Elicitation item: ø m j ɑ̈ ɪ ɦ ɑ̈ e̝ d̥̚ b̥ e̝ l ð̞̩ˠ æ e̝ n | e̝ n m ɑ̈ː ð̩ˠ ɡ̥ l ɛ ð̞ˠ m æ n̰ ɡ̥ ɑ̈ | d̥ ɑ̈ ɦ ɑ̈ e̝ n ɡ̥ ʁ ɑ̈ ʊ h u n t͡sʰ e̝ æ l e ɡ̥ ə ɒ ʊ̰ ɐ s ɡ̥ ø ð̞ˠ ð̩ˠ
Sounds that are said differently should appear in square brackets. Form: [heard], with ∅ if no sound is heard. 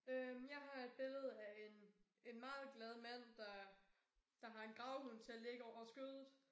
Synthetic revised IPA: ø m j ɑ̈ ɪ ɦ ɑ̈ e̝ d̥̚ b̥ e̝ l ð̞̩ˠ æ e̝ n | e̝ n m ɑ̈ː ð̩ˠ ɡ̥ l ɛ ð̞ˠ m æ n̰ [d̥] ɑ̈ | d̥ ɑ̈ ɦ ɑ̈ e̝ n ɡ̥ ʁ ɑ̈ ʊ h u n t͡sʰ e̝ æ l e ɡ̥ ə ɒ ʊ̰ ɐ s ɡ̥ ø ð̞ˠ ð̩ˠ